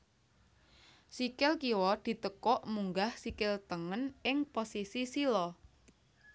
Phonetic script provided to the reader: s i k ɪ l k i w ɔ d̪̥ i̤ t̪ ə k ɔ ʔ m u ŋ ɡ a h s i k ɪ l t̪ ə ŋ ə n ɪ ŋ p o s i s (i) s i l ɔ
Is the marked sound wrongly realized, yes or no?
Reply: no